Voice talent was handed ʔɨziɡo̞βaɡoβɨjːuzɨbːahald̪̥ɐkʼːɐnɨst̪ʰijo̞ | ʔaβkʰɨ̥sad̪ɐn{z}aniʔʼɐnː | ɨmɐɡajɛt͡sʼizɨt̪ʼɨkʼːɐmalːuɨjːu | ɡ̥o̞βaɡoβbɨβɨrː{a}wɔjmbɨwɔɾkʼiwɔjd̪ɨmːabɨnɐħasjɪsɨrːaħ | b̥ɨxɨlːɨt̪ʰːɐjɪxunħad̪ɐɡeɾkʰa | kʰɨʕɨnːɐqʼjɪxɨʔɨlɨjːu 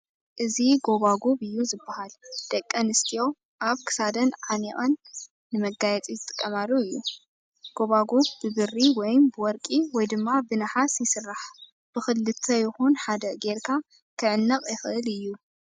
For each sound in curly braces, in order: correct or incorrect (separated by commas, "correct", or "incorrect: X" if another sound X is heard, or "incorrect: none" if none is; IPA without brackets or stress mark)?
incorrect: ʕ, incorrect: i